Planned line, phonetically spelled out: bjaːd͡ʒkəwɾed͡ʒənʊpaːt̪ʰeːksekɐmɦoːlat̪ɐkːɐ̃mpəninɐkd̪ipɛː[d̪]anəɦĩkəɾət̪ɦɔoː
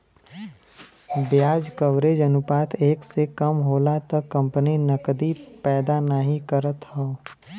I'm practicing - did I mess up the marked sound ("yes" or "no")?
no